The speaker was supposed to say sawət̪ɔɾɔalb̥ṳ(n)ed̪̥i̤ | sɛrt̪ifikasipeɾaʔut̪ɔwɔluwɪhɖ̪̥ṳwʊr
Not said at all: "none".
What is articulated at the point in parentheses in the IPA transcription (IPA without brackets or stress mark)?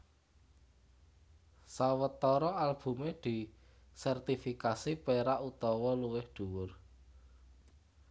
m